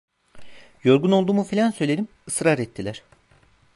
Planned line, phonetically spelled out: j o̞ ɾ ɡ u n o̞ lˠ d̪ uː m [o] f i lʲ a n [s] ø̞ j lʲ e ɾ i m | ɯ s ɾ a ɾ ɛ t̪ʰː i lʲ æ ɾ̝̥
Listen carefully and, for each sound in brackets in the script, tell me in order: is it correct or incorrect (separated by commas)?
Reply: incorrect, correct